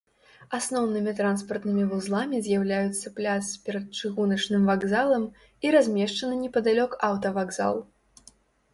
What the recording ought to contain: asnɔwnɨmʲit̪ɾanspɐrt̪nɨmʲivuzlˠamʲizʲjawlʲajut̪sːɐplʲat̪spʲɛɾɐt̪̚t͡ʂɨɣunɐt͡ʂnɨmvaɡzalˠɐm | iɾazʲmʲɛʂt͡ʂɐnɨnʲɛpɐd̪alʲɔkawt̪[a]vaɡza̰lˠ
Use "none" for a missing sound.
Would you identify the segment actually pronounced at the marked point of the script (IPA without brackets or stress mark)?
ɐ